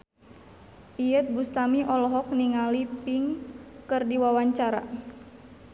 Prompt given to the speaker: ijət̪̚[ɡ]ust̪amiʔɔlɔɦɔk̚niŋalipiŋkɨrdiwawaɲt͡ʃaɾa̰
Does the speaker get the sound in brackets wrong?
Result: yes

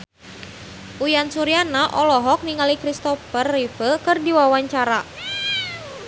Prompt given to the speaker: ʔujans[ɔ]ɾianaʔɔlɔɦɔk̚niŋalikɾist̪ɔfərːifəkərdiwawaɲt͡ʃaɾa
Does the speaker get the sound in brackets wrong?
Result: yes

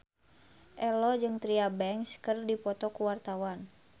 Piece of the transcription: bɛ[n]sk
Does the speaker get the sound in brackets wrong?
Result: yes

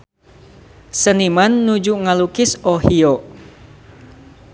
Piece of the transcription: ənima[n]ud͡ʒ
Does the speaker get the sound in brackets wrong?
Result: yes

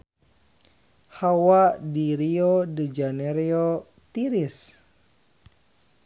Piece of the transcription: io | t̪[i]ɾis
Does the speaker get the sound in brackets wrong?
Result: no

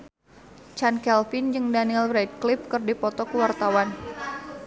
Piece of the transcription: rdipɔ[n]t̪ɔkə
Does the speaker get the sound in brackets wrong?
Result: yes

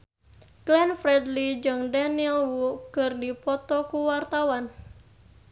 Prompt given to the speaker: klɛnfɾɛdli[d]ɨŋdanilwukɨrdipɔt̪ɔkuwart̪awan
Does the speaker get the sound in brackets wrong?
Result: yes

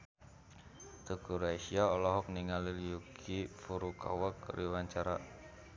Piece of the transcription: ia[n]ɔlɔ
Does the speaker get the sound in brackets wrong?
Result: yes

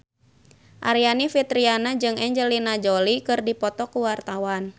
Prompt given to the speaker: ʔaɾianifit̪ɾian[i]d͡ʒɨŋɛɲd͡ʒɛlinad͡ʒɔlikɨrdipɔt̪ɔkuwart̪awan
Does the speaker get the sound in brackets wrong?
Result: yes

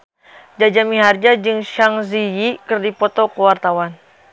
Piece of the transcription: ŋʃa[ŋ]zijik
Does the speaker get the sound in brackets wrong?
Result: no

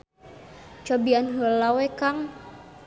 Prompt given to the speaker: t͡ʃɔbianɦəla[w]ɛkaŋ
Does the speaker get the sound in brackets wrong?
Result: no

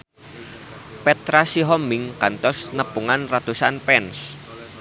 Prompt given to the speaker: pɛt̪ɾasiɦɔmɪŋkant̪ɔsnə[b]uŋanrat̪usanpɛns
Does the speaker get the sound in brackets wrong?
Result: yes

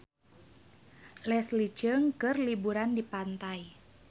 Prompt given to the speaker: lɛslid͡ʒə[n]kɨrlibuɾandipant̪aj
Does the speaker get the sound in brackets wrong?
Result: yes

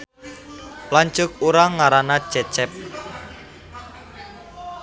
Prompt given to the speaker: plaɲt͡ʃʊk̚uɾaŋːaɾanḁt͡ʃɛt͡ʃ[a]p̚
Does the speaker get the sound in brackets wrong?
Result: yes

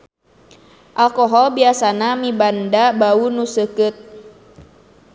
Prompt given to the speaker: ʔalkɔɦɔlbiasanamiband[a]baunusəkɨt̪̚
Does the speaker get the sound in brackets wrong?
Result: no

